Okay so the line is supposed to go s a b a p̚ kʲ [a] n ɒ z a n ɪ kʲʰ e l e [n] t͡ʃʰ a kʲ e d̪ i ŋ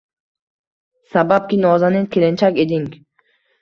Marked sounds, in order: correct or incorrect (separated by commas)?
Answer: incorrect, correct